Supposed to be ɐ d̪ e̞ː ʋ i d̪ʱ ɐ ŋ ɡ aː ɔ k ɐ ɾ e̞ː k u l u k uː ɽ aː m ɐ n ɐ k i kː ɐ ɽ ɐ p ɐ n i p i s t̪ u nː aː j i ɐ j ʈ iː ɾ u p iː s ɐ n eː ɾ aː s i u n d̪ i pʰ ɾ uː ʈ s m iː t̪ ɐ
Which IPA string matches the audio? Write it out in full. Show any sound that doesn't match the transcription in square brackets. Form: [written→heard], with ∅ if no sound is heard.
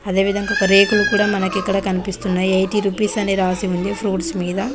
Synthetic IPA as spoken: ɐ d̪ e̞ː ʋ i d̪ʱ ɐ ŋ ɡ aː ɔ k ɐ ɾ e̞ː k u l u k uː ɽ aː m ɐ n ɐ k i kː ɐ ɽ ɐ [p→k] ɐ n i p i s t̪ u nː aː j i ɐ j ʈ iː ɾ u p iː s ɐ n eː ɾ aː s i u n d̪ i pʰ ɾ uː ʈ s m iː [t̪→d̪] ɐ